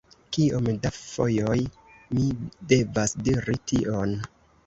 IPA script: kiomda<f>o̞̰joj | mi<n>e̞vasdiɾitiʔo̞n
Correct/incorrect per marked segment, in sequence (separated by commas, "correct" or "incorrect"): correct, incorrect